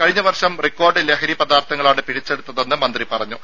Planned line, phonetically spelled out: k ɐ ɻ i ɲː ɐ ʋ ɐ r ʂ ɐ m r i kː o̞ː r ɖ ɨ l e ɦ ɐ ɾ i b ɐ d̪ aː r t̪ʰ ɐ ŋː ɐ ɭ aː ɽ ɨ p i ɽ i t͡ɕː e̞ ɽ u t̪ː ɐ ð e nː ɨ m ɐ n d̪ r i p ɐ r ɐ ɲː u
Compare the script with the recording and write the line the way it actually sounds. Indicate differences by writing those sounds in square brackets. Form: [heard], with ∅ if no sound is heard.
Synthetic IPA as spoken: k ɐ ɻ i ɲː ɐ ʋ ɐ r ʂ ɐ m r i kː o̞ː r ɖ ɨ l e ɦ ɐ ɾ i [p] ɐ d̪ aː r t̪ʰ ɐ ŋː ɐ ɭ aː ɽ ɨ p i ɽ i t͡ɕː e̞ ɽ u t̪ː ɐ ð e nː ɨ m ɐ n d̪ r i p ɐ r ɐ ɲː u

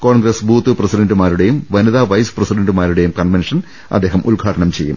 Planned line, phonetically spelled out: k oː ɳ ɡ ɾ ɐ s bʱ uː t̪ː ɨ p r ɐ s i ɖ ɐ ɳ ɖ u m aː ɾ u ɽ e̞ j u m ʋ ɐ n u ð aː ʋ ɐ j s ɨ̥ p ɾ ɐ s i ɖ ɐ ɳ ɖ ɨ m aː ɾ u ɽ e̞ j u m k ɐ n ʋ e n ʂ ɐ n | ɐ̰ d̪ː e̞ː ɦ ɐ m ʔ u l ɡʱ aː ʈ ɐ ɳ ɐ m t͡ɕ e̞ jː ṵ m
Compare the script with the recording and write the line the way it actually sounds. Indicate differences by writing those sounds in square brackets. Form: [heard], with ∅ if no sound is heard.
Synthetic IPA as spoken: k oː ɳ ɡ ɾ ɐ s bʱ uː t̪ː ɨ p r ɐ s i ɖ ɐ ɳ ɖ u m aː ɾ u ɽ e̞ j u m ʋ ɐ n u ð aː ʋ ɐ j s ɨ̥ p [r] ɐ s i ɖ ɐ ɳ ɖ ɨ m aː ɾ u ɽ e̞ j u m k ɐ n ʋ e n ʂ ɐ n | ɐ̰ d̪ː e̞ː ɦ ɐ m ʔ u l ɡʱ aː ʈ ɐ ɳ ɐ m t͡ɕ e̞ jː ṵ m

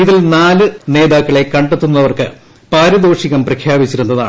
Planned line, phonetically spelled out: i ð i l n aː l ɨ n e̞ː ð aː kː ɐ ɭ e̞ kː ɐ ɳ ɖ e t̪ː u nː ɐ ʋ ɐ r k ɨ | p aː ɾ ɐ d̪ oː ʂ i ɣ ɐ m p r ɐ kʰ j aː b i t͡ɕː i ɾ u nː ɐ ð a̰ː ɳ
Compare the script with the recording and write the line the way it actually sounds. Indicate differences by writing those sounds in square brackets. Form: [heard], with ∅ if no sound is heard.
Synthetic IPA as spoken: i ð i l n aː l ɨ n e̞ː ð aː kː ɐ ɭ e̞ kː ɐ ɳ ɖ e t̪ː u nː ɐ ʋ ɐ r k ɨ | p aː ɾ ɐ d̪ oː ʂ i ɣ ɐ m p r ɐ kʰ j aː b i t͡ɕː i ɾ u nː ɐ ð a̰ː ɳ

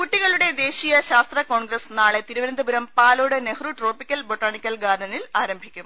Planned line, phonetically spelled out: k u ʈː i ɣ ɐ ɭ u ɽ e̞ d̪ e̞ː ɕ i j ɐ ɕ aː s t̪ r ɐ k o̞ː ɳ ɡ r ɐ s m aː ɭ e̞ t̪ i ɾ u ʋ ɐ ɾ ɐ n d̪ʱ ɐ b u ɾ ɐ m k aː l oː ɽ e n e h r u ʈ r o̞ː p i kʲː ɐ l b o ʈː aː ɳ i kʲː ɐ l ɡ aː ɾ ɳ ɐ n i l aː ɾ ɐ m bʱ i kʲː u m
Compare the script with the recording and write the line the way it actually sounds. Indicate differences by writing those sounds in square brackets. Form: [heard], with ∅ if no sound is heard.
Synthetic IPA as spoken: k u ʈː i ɣ ɐ ɭ u ɽ e̞ d̪ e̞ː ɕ i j ɐ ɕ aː s t̪ r ɐ k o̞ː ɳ ɡ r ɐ s [n] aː ɭ e̞ t̪ i ɾ u ʋ ɐ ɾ ɐ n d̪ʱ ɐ b u ɾ ɐ m [p] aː l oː ɽ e n e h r u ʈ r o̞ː p i kʲː ɐ l b o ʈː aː ɳ i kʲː ɐ l ɡ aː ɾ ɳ ɐ n i l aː ɾ ɐ m bʱ i kʲː u m

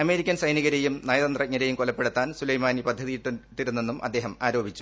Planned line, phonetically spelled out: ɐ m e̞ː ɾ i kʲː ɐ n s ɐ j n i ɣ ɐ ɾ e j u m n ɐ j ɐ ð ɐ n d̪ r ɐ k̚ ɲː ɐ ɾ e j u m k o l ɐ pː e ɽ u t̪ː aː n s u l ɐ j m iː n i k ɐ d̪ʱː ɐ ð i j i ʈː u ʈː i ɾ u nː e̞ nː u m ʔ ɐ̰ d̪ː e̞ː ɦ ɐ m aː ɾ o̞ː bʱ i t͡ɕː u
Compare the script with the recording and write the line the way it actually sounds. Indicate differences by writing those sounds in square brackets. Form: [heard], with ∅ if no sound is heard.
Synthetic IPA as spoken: ɐ m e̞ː ɾ i kʲː ɐ n s ɐ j n i ɣ ɐ ɾ e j u m n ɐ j ɐ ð ɐ n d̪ r ɐ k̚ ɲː ɐ ɾ e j u m k o l ɐ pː e ɽ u t̪ː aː n s u l ɐ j m [aː] n i [p] ɐ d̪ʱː ɐ ð i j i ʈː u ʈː i ɾ u nː e̞ nː u m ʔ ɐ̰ d̪ː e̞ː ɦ ɐ m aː ɾ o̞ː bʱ i t͡ɕː u

